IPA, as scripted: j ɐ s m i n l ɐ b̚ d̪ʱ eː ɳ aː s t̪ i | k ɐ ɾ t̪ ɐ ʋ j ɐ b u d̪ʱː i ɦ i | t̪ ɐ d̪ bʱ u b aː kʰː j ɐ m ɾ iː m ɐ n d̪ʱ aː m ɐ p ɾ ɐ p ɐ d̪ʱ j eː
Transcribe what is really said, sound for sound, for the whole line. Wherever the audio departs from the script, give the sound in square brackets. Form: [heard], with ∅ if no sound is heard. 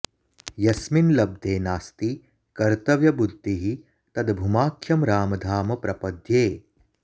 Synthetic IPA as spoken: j ɐ s m i n l ɐ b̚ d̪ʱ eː [n] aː s t̪ i | k ɐ ɾ t̪ ɐ ʋ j ɐ b u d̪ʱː i ɦ i | t̪ ɐ d̪ bʱ u [m] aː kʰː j ɐ m ɾ [aː] m ɐ [∅] d̪ʱ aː m ɐ p ɾ ɐ p ɐ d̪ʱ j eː